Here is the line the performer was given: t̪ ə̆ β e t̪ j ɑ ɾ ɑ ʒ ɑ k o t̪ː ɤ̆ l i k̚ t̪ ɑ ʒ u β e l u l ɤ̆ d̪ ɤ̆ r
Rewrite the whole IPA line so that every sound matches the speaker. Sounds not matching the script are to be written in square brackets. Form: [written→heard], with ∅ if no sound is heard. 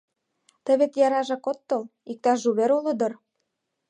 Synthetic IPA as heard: t̪ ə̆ β e t̪ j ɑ ɾ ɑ ʒ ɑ k o t̪ː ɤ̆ l i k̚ t̪ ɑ ʒ u β e [l→ɾ] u l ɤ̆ d̪ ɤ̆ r